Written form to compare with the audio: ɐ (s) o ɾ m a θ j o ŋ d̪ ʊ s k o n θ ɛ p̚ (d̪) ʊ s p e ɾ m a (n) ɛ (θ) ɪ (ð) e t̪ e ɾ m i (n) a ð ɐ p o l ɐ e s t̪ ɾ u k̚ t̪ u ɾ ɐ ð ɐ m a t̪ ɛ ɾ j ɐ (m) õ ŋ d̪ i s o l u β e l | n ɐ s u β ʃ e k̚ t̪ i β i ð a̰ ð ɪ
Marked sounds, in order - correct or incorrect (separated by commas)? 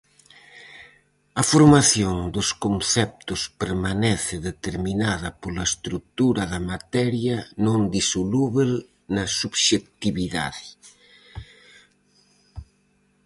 incorrect, incorrect, correct, correct, correct, correct, incorrect